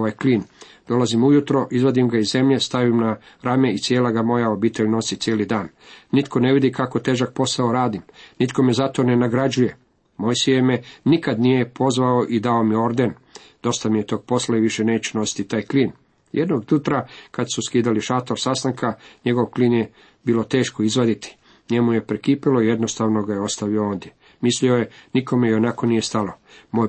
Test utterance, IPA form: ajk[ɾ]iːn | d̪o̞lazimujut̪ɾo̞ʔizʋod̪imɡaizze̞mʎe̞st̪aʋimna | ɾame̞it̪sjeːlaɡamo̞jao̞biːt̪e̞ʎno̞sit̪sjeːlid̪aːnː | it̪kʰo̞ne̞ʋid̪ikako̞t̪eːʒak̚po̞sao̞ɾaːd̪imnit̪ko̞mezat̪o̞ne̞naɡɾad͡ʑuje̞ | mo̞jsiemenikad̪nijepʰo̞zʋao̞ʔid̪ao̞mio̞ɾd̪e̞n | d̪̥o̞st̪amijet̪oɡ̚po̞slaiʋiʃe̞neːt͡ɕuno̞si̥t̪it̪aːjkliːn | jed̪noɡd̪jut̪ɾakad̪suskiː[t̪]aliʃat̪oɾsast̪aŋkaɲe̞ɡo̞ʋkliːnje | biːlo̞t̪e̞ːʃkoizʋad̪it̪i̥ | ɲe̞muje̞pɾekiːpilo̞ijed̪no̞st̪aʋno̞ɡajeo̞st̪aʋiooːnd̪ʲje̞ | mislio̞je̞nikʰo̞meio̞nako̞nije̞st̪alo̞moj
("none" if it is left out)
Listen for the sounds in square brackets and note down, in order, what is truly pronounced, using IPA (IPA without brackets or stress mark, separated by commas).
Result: l, d̪